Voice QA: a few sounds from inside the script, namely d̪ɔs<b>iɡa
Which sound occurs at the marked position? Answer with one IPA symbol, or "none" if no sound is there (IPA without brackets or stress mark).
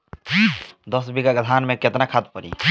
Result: b